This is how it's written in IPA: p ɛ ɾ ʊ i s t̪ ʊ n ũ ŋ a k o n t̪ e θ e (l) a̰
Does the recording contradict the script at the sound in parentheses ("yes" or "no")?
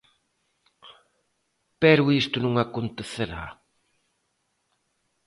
yes